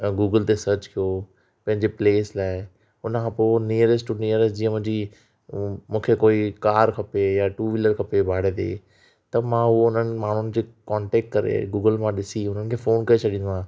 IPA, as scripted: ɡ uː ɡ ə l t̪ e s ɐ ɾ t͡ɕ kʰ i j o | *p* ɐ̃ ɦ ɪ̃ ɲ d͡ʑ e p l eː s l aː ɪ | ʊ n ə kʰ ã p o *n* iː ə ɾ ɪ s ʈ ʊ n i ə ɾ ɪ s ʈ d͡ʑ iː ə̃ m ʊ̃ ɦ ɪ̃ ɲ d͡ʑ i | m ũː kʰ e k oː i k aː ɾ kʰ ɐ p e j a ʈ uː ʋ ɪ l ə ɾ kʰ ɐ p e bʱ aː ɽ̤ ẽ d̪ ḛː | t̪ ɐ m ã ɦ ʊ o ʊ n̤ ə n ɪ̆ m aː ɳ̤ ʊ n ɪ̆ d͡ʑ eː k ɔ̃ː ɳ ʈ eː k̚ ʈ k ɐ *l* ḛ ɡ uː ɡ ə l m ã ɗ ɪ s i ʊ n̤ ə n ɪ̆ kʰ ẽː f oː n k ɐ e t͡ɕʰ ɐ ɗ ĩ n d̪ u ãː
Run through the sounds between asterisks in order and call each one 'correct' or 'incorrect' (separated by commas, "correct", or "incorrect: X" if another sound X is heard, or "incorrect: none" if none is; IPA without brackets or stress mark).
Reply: correct, correct, incorrect: ɾ